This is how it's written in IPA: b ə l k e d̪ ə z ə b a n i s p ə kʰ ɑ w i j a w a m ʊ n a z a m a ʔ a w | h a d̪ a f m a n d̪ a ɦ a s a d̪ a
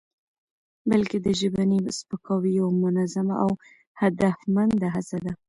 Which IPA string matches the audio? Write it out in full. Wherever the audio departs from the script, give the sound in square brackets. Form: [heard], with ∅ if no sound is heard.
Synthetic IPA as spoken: b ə l k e d̪ ə [ʒ] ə b a n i s p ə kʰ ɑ w i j a w a m ʊ n a z a m a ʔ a w | h a d̪ a f m a n d̪ a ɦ a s a d̪ a